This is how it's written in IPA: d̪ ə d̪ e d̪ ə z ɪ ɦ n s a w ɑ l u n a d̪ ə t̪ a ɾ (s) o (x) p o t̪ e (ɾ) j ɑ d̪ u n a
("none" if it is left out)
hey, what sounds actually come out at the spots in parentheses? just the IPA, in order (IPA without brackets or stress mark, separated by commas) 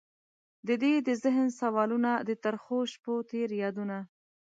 x, ʃ, ɾ